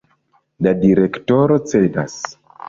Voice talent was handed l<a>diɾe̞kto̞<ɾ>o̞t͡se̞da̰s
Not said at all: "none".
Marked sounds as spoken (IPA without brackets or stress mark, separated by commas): a, ɾ